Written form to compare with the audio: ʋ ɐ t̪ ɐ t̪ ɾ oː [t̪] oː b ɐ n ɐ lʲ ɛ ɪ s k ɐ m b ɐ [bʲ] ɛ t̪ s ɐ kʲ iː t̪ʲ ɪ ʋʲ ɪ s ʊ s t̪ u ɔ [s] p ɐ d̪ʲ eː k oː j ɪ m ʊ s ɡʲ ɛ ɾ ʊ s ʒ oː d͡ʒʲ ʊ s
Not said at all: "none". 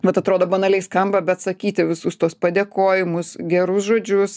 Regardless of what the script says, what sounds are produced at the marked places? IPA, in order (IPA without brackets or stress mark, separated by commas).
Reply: d̪, bʲ, s